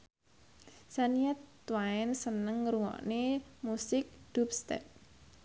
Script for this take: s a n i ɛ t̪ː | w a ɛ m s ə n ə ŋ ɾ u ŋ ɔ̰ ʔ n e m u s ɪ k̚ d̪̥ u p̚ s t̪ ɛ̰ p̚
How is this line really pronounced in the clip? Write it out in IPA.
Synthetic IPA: s a n i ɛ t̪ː | w a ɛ n s ə n ə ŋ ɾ u ŋ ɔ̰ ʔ n e m u s ɪ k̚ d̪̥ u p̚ s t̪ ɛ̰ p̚